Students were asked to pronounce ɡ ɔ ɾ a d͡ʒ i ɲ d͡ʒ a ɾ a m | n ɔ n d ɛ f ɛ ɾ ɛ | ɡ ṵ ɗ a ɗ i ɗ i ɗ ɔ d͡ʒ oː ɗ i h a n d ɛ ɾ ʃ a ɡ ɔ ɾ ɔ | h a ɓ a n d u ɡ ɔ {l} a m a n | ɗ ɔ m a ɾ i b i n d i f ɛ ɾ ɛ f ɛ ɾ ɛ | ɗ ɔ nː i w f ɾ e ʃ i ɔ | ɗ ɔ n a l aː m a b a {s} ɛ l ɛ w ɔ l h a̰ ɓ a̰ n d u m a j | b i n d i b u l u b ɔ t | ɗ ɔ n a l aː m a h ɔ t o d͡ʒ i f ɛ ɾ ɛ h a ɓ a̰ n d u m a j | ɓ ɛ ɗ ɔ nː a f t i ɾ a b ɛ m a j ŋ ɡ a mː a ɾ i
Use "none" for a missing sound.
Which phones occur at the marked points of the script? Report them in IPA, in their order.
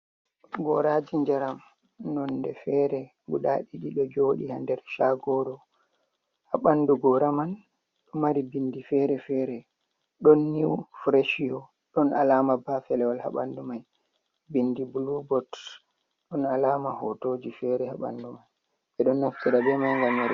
ɾ, f

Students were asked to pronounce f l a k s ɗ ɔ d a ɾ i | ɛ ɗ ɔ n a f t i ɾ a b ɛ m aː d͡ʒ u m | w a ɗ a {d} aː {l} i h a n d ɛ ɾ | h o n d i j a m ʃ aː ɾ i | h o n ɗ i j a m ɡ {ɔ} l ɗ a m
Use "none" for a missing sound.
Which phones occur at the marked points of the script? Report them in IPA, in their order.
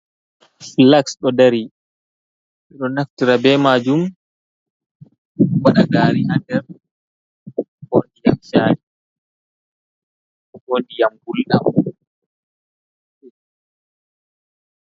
ɡ, ɾ, u

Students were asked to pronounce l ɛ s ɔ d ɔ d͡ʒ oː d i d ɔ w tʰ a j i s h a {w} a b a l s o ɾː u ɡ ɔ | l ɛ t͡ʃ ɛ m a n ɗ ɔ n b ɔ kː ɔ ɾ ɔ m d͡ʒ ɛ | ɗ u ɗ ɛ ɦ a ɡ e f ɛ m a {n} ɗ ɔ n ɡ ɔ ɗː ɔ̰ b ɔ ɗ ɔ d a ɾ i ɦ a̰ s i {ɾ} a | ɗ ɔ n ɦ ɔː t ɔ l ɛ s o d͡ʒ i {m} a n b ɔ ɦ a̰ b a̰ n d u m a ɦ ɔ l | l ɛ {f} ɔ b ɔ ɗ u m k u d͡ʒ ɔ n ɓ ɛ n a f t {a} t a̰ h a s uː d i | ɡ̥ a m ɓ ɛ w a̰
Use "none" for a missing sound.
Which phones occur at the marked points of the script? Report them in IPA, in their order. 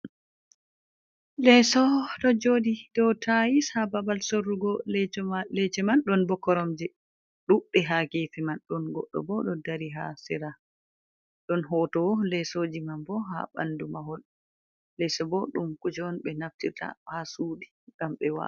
b, n, ɾ, m, s, i

